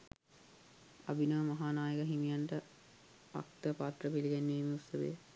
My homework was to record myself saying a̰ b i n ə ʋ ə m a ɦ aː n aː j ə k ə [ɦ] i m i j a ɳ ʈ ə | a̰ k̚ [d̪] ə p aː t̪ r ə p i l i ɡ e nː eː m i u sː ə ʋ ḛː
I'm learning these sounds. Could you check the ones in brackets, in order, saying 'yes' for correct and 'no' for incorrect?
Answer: yes, no

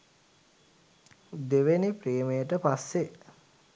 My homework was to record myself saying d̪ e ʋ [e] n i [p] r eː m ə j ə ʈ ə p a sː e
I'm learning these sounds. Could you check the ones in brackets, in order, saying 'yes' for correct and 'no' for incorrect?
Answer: yes, yes

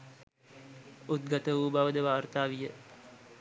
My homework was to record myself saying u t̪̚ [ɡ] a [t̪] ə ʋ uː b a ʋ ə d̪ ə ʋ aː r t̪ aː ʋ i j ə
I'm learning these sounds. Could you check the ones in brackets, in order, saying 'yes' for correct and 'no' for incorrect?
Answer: yes, yes

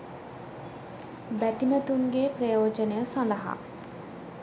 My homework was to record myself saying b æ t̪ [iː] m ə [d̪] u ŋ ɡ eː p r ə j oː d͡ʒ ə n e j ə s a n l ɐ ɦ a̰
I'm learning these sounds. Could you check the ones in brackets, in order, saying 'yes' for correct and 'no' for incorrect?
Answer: no, no

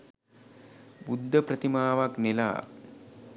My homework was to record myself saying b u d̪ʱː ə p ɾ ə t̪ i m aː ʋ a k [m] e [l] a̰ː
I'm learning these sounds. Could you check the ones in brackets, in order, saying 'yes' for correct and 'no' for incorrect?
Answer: no, yes

